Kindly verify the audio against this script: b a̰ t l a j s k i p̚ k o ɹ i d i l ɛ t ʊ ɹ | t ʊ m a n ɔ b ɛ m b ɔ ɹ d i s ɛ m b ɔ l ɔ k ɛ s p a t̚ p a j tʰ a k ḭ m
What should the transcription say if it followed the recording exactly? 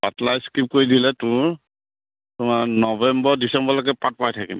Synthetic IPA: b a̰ t l a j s k i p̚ k o ɹ i d i l ɛ t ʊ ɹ | t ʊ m a n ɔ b ɛ m b ɔ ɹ d i s ɛ m b ɔ l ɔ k ɛ p a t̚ p a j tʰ a k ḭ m